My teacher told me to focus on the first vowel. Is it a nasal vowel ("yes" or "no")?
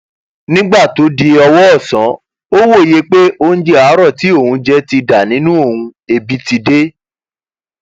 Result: yes